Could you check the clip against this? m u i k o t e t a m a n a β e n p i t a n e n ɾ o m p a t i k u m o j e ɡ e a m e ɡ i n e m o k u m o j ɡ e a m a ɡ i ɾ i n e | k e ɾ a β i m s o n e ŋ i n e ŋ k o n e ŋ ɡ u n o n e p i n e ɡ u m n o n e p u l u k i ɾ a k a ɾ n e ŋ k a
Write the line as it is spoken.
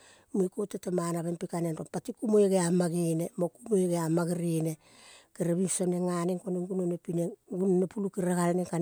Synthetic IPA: m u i k o t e t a m a n a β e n p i k a n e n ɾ o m p a t i k u m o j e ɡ e a m a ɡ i n e m o k u m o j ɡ e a m a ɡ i ɾ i n e | k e ɾ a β i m s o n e ŋ a n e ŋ k o n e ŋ ɡ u n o n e p i n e ɡ u n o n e p u l u k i ɾ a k a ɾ n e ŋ k a